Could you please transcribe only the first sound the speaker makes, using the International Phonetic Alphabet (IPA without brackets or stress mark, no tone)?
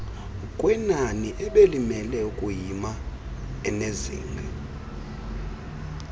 kʼ